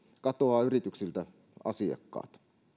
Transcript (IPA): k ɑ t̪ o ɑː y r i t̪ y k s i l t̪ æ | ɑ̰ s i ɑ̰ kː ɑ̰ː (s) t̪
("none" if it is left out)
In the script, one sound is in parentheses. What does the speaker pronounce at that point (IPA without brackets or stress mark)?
none